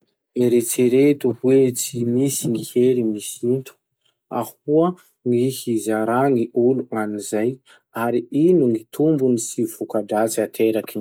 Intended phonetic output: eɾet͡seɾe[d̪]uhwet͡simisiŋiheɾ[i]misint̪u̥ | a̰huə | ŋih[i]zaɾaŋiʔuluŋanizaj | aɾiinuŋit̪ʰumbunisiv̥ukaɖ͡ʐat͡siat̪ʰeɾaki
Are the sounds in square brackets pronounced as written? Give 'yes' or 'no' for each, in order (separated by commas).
no, yes, yes